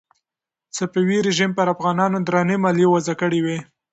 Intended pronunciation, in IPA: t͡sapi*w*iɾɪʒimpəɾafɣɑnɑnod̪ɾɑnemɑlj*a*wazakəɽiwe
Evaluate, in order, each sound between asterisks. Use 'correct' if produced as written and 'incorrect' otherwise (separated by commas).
correct, incorrect